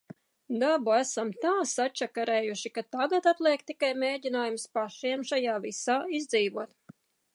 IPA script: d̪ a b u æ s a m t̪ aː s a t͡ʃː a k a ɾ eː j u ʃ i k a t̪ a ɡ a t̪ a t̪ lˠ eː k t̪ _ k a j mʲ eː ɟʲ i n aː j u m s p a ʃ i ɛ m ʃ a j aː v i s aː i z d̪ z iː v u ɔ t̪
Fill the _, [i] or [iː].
i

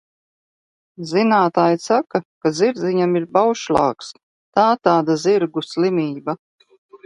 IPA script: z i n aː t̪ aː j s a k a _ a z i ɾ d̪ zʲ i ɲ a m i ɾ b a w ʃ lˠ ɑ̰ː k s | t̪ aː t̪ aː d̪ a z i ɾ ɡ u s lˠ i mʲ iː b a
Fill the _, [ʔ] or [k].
k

